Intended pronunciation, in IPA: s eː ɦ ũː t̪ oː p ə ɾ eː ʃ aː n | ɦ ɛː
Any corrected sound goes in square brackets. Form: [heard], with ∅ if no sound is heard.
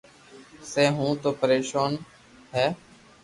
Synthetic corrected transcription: s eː ɦ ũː t̪ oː p ə ɾ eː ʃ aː n | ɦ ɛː